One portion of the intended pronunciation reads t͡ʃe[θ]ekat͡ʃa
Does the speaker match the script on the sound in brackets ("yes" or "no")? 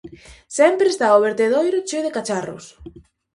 no